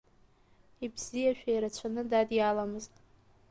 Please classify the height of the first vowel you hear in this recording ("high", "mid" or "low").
high